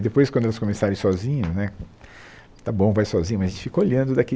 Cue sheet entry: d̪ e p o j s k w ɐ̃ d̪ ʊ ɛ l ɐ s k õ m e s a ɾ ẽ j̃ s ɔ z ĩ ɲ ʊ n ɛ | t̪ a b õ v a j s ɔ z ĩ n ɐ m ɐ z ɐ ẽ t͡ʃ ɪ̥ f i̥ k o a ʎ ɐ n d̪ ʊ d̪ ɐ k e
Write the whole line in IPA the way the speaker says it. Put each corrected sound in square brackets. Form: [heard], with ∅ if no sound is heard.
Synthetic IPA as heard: d̪ e p o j s k w ɐ̃ d̪ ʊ ɛ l ɐ s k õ m e s a ɾ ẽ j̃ s ɔ z ĩ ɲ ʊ n ɛ | t̪ a b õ v a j s ɔ z ĩ [ɲ] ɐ m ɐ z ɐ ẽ t͡ʃ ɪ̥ f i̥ k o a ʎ [ɐ̃] n d̪ ʊ d̪ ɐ k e